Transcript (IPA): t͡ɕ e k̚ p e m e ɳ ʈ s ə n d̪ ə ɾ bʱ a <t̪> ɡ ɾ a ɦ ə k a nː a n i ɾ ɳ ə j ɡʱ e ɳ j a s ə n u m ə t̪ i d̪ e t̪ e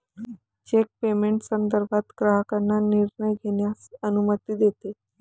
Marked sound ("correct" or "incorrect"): correct